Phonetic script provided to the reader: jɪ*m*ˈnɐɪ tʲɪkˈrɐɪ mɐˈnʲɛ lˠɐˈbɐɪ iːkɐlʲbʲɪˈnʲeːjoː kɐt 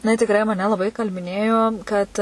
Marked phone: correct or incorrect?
incorrect: none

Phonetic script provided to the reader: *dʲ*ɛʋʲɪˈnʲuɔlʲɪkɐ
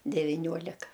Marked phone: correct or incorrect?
correct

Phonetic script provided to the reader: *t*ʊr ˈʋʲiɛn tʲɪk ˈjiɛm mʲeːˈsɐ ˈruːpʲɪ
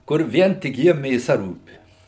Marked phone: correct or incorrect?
incorrect: k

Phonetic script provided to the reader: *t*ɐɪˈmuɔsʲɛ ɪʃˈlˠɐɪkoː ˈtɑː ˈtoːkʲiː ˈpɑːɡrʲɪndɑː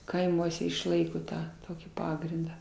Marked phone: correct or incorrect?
incorrect: k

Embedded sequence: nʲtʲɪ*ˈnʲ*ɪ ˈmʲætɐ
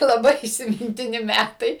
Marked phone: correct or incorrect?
correct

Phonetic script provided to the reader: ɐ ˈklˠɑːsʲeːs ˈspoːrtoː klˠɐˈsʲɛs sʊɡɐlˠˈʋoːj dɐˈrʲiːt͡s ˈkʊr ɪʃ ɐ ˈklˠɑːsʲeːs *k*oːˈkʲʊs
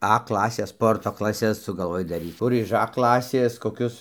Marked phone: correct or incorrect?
correct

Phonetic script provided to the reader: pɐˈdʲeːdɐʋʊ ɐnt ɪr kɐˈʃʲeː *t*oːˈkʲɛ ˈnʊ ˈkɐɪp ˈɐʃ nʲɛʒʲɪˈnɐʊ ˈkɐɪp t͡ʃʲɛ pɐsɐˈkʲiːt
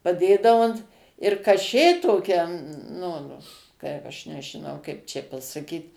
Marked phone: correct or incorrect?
correct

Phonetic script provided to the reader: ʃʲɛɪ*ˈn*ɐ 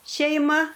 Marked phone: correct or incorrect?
incorrect: m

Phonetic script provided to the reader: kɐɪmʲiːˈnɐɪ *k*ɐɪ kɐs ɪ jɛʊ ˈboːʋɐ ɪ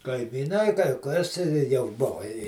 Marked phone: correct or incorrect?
correct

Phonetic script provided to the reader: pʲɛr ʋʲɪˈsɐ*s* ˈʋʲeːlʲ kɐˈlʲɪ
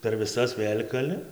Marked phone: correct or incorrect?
correct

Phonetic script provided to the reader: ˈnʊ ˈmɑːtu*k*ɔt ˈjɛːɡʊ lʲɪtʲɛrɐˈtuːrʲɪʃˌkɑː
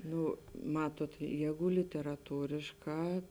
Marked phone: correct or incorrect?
incorrect: none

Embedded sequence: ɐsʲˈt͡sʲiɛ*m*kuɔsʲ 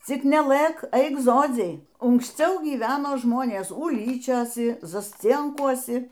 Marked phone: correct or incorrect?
incorrect: ŋ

